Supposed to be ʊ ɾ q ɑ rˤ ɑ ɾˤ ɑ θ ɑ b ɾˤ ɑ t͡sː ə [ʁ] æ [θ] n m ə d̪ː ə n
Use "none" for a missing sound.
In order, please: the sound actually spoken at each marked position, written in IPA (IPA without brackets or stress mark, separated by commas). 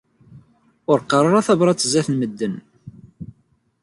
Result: z, θ